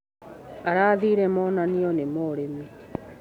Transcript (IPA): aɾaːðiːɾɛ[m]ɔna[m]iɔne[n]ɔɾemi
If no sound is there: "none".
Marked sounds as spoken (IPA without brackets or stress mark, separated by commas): m, n, m